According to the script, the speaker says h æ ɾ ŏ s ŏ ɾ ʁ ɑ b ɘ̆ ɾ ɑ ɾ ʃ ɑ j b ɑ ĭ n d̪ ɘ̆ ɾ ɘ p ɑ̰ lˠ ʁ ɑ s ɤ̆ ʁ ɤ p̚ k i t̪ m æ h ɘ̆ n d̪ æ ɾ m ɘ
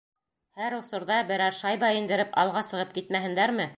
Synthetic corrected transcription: h æ ɾ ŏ s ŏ ɾ ð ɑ b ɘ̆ ɾ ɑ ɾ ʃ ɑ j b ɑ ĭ n d̪ ɘ̆ ɾ ɘ p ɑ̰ lˠ ʁ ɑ s ɤ̆ ʁ ɤ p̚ k i t̪ m æ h ɘ̆ n d̪ æ ɾ m ɘ